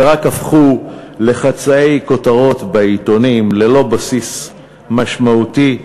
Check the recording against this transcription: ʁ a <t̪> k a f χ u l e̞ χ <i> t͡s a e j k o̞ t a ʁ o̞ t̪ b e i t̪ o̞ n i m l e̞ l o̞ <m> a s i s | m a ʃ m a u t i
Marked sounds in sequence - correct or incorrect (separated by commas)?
incorrect, incorrect, incorrect